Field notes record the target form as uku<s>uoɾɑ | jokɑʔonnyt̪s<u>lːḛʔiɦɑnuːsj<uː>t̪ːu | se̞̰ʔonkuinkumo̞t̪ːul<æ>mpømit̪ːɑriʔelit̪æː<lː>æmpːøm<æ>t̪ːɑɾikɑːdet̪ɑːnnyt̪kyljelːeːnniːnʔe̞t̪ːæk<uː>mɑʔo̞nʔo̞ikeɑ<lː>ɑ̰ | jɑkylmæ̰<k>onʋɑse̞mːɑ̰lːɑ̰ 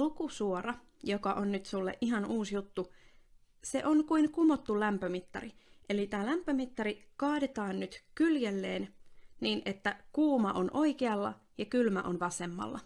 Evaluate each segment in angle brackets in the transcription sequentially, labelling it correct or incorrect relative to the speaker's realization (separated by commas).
correct, correct, incorrect, correct, incorrect, incorrect, correct, correct, incorrect